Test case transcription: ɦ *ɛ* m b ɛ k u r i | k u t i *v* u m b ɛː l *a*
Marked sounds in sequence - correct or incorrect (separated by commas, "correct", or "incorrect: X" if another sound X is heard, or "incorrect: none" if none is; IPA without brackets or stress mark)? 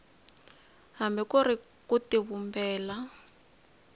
incorrect: a, incorrect: β, correct